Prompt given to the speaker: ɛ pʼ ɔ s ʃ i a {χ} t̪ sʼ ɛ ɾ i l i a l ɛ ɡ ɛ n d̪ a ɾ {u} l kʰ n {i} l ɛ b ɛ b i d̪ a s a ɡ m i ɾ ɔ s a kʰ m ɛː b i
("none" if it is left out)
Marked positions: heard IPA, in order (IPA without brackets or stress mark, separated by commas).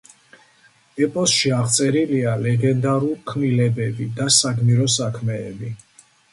ʁ, u, i